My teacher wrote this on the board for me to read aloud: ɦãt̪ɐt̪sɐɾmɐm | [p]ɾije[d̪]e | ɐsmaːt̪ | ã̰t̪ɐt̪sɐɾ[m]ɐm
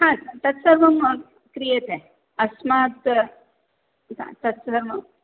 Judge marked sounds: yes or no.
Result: no, no, yes

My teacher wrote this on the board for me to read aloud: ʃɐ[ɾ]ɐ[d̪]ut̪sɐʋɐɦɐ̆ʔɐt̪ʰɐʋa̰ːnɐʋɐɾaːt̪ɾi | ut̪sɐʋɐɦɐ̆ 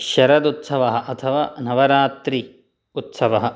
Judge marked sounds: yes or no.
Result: yes, yes

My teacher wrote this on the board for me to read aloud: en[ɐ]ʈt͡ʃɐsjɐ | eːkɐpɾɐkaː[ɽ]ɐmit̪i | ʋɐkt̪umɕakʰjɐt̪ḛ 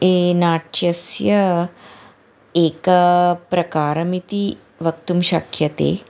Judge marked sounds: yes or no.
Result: no, no

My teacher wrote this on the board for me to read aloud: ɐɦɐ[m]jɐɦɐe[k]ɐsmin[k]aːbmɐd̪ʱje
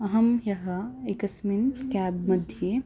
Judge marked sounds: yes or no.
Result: yes, yes, yes

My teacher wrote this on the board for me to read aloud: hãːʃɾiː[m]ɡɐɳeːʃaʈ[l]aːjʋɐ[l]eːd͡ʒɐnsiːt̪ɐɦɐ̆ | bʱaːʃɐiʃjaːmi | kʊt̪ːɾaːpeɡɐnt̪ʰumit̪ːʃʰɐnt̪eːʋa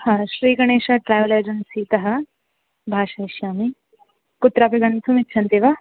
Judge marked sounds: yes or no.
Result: no, no, yes

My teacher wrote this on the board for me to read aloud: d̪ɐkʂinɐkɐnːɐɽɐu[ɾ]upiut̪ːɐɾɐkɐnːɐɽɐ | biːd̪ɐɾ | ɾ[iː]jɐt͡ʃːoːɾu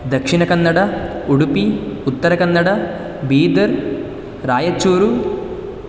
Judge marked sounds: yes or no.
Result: no, no

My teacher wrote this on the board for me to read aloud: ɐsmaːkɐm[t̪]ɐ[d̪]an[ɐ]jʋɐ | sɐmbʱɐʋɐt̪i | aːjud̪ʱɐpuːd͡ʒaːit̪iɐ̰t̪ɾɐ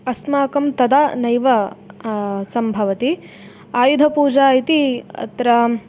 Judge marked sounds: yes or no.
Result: yes, yes, yes

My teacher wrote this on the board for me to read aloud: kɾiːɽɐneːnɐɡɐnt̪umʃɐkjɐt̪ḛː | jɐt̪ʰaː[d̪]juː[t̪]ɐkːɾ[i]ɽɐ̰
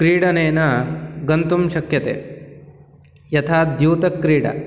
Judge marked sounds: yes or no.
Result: yes, yes, no

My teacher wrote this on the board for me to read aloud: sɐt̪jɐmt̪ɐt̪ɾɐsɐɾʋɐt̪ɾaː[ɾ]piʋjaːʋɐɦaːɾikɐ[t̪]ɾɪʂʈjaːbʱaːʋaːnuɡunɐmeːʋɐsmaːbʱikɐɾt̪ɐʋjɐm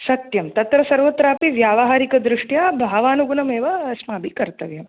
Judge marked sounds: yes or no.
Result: no, no

